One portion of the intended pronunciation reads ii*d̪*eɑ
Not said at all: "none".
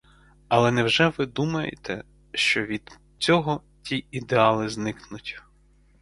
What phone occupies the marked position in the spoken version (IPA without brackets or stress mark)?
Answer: d̪